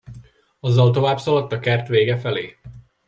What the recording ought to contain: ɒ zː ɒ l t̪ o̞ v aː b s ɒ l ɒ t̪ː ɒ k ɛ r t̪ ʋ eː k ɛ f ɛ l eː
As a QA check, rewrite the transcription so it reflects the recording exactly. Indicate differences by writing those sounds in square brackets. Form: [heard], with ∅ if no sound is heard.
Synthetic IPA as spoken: ɒ zː ɒ l t̪ o̞ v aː b s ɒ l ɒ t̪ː ɒ k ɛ r t̪ ʋ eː [ɡ] ɛ f ɛ l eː